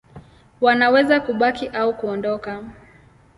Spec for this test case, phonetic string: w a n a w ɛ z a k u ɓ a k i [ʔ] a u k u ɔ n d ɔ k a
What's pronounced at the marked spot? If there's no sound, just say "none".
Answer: ʔ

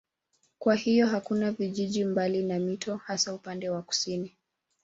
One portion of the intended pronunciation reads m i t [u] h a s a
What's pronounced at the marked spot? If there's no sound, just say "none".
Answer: ɔ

